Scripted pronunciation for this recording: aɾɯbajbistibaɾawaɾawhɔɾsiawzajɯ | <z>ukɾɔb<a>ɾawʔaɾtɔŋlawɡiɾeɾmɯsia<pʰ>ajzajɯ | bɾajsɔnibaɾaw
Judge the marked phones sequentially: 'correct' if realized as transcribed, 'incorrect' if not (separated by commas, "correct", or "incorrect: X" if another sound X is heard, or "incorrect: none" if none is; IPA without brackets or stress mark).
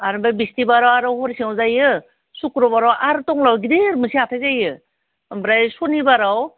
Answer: incorrect: s, correct, incorrect: tʰ